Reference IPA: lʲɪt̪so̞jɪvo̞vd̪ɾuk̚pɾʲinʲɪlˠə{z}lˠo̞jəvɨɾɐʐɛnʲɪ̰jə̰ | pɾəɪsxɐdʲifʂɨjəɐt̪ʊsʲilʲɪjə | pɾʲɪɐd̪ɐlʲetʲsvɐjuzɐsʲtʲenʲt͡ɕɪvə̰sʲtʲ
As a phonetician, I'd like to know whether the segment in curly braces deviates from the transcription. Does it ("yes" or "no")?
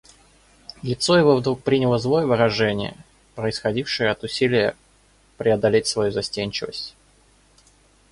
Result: no